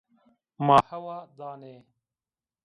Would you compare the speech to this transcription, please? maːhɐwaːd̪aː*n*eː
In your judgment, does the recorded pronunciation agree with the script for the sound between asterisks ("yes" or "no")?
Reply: yes